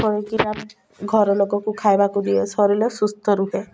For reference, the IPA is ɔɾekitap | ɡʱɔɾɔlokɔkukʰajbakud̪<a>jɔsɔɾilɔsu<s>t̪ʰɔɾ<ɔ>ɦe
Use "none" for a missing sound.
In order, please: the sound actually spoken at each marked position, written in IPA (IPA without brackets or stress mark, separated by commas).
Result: i, s, u